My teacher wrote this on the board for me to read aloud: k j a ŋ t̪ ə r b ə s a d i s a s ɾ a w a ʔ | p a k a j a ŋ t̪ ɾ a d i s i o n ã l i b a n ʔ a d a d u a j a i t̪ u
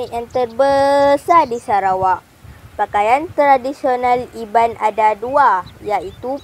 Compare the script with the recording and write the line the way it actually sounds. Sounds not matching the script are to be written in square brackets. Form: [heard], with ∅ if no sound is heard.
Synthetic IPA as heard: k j a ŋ t̪ ə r b ə s a d i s a [∅] ɾ a w a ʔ | p a k a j a [n] t̪ ɾ a d i s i o n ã l i b a n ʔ a d a d u a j a i t̪ u

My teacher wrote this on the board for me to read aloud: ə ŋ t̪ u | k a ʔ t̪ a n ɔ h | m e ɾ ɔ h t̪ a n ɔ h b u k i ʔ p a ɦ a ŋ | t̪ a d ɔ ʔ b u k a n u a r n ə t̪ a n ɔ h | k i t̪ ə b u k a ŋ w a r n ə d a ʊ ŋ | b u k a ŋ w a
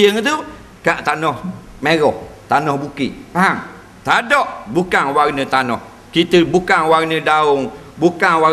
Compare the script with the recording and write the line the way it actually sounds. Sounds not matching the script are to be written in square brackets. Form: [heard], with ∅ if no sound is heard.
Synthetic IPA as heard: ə ŋ t̪ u | k a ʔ t̪ a n ɔ h | m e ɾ ɔ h t̪ a n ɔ h b u k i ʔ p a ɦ a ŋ | t̪ a d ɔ ʔ b u k a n [w] a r n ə t̪ a n ɔ h | k i t̪ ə b u k a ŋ w a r n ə d a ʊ ŋ | b u k a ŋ w a

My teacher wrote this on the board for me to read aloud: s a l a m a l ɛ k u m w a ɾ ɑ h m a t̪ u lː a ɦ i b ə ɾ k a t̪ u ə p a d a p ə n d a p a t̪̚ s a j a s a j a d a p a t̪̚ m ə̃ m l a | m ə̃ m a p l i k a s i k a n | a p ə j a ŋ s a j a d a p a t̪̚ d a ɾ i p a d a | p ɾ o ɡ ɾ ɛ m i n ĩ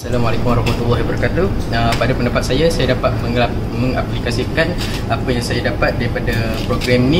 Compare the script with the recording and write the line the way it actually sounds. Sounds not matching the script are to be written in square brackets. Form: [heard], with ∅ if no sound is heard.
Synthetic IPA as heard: s a l a m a l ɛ k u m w a ɾ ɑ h m a t̪ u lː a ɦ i b ə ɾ k a t̪ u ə p a d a p ə n d a p a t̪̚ s a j a s a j a d a p a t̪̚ m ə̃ [ŋ] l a | m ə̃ [ŋ] a p l i k a s i k a n | a p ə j a ŋ s a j a d a p a t̪̚ d a ɾ i p a d a | p ɾ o ɡ ɾ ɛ m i n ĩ

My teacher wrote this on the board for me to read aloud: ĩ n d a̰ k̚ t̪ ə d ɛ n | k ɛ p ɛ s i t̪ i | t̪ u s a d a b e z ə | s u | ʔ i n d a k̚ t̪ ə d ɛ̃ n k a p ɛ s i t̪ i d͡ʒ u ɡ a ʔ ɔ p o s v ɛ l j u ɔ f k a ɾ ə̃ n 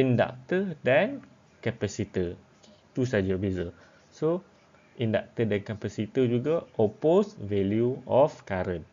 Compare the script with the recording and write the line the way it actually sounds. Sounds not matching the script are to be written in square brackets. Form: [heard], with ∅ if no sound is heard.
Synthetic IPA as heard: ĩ n d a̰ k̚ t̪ ə d ɛ n | k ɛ p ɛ s i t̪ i | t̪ u s a [d͡ʒ] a b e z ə | s [o] | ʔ i n d a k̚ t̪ ə d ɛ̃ n k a p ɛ s i t̪ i d͡ʒ u ɡ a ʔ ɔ p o s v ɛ l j u ɔ f k a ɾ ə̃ n

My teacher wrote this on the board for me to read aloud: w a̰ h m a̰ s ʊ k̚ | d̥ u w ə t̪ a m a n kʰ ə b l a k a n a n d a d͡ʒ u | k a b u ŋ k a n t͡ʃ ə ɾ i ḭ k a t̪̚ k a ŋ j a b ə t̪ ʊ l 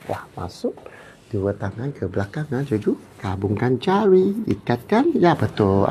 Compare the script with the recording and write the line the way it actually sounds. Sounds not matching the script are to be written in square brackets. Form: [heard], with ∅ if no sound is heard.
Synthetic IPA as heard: w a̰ h m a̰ s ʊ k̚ | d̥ u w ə t̪ a [ŋ] a n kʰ ə b l a k a [ŋ] a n [d͡ʒ] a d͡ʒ u | k a b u ŋ k a n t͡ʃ [a] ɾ i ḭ k a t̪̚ k a [n] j a b ə t̪ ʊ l

